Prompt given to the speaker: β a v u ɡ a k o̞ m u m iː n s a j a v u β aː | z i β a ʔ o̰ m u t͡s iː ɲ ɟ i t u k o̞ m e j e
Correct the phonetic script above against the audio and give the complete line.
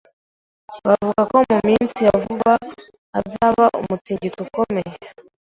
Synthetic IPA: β a v u ɡ a k o̞ m u m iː n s i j a v u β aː | z a β a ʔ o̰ m u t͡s iː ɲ ɟ i t u k o̞ m e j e